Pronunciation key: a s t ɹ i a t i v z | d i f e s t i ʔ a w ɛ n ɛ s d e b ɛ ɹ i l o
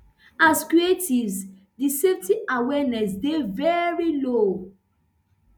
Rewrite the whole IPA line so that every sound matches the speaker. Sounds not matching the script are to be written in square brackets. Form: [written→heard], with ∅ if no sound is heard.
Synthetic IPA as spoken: a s [t→k] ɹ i [a→e] t i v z | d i [f→s] e [s→f] t i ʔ a w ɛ n ɛ s d e [b→v] ɛ ɹ i l o